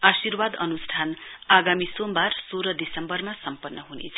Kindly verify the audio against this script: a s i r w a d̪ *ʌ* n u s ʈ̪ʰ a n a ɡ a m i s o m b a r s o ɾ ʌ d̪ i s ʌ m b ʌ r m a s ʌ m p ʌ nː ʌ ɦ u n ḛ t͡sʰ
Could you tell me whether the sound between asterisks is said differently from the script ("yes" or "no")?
no